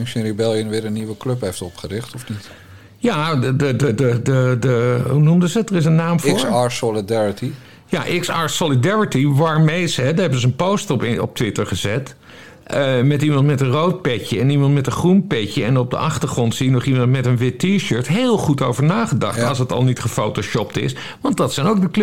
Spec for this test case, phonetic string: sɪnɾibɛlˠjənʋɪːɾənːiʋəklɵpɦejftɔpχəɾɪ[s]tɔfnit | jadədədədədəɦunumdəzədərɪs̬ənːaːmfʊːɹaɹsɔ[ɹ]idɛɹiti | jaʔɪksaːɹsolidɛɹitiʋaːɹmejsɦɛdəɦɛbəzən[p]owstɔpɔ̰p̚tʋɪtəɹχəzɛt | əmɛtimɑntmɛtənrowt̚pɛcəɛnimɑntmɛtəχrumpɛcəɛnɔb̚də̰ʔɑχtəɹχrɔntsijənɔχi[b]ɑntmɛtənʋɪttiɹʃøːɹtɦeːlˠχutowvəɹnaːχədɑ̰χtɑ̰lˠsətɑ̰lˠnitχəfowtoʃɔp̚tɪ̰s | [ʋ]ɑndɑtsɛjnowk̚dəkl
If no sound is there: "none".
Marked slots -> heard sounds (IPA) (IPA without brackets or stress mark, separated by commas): χ, l, p, m, ʋ